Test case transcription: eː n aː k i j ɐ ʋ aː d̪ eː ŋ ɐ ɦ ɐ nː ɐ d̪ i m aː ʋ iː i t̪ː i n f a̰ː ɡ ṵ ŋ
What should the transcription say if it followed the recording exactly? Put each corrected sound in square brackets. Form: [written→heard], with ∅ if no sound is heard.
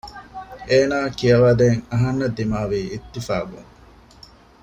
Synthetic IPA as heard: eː n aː k i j ɐ ʋ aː d̪ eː ŋ ɐ ɦ ɐ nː ɐ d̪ i m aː ʋ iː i t̪ː i [n→∅] f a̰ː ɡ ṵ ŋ